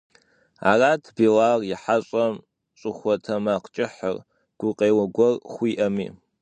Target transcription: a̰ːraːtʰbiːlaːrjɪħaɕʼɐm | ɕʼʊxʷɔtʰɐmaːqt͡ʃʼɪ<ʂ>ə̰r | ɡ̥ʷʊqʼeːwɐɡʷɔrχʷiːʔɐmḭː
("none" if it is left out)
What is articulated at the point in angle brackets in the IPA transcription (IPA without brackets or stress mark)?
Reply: ħ